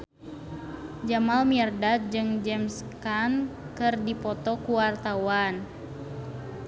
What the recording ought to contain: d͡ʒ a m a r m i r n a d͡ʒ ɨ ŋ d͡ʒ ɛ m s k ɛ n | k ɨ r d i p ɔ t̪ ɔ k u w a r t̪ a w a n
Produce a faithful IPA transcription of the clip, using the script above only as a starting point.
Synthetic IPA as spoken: d͡ʒ a m a l m i r d a d͡ʒ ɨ ŋ d͡ʒ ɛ m s k a n | k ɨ r d i p ɔ t̪ ɔ k u w a r t̪ a w a n